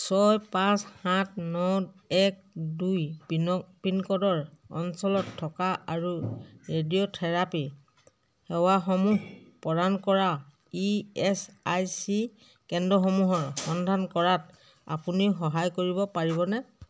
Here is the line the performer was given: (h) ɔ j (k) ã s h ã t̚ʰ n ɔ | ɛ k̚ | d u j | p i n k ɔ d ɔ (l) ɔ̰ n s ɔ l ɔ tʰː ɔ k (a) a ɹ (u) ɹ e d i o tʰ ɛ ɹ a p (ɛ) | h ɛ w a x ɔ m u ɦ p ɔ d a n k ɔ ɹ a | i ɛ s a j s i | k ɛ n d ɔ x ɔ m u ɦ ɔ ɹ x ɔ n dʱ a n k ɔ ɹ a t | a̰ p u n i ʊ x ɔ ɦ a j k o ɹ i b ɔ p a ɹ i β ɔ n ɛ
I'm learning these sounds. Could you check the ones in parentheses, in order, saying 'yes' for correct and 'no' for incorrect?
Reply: no, no, no, yes, yes, no

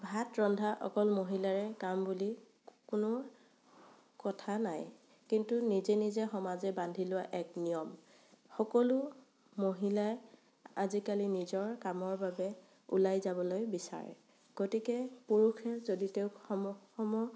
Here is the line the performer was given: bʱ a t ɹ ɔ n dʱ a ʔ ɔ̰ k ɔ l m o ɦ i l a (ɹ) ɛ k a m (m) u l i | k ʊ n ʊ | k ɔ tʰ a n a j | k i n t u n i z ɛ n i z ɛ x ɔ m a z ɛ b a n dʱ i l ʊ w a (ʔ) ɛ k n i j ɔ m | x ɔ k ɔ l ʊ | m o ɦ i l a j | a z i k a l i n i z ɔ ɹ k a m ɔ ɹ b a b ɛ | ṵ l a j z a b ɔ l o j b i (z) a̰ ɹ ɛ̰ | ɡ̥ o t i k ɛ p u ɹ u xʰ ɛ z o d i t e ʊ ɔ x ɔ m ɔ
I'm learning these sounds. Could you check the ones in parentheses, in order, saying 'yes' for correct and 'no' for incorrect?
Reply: yes, no, yes, no

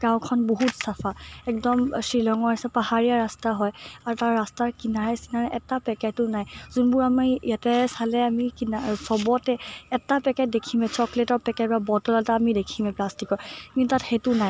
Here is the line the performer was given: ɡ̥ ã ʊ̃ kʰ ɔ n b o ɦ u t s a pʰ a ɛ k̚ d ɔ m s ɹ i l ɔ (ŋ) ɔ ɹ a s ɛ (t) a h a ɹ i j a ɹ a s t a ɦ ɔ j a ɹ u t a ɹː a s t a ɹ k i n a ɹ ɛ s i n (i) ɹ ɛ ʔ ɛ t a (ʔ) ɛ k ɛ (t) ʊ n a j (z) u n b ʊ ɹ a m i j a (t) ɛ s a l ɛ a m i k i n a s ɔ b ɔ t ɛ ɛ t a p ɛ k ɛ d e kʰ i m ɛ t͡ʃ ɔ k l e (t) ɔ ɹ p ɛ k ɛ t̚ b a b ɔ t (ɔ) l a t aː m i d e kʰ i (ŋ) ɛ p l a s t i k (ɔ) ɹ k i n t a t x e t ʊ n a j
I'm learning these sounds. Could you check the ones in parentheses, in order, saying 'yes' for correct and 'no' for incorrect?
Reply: yes, no, no, no, yes, yes, yes, yes, yes, no, yes

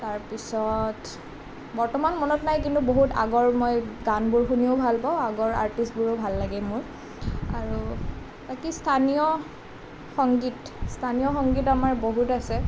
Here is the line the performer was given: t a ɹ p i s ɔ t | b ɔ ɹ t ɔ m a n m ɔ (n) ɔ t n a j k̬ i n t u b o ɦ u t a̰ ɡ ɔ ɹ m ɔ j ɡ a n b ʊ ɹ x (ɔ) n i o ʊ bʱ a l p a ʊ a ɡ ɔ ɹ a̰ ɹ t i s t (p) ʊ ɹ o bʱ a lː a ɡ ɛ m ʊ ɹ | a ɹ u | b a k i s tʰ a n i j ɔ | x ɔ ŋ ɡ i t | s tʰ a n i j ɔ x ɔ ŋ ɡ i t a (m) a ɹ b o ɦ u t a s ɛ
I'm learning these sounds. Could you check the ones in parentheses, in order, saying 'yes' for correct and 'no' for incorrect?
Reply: yes, no, no, yes

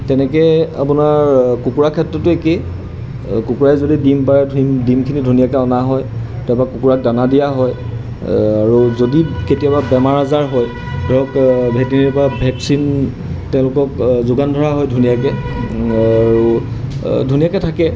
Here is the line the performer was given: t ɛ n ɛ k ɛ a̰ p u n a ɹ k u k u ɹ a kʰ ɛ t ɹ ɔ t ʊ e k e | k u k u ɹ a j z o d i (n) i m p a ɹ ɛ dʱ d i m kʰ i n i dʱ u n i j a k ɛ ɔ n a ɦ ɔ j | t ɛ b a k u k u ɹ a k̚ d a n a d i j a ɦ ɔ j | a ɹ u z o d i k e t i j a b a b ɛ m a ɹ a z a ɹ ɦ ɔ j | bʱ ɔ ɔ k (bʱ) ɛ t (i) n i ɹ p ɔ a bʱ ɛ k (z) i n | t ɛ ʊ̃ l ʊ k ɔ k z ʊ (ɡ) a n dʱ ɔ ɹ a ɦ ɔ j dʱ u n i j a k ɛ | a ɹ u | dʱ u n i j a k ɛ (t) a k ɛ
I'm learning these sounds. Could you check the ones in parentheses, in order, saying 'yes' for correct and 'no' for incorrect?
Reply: no, yes, yes, no, yes, no

